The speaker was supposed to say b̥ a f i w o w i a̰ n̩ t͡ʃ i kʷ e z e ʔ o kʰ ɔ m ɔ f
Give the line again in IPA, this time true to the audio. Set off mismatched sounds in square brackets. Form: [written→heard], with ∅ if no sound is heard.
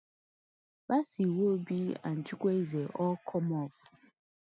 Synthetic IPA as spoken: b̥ a [f→s] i w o [w→b] i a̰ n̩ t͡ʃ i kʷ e z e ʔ [o→ɔ] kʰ ɔ m ɔ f

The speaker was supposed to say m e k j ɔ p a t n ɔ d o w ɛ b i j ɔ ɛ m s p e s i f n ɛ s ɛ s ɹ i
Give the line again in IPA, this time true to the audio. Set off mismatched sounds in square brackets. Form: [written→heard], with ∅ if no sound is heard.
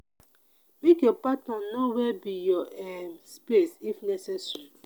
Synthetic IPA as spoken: m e k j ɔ p a t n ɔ [d→n] o w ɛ b i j ɔ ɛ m s p e s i f n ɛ s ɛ s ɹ i

